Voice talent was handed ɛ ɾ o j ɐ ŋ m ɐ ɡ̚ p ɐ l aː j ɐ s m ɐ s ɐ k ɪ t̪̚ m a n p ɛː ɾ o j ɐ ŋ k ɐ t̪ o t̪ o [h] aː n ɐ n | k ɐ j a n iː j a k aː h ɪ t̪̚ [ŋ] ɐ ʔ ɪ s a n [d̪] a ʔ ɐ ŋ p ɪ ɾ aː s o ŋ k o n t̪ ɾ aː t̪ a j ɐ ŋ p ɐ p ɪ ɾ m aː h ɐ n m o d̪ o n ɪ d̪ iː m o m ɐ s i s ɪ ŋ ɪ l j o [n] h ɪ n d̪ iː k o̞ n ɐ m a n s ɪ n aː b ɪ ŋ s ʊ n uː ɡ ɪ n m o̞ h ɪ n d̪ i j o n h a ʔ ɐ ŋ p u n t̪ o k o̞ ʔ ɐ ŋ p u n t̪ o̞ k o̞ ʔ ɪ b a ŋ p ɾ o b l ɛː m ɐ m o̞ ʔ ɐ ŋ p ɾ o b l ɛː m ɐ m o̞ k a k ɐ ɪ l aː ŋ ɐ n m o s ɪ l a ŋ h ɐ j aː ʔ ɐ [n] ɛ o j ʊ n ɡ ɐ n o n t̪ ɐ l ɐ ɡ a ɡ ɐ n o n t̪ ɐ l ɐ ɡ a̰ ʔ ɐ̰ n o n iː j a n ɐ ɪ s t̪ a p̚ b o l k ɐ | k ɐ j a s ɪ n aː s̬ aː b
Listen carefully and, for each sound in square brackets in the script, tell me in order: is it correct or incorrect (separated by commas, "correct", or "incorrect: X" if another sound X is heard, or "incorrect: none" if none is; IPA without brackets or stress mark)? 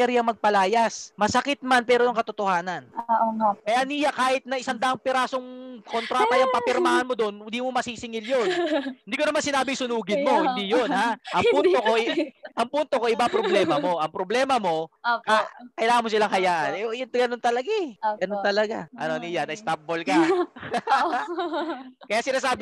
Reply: correct, incorrect: n, correct, correct, correct